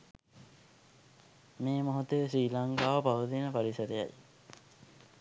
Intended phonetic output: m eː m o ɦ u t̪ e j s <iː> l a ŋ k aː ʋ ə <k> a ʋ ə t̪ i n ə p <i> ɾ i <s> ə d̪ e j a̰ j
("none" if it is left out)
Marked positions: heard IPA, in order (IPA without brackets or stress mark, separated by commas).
iː, p, a, s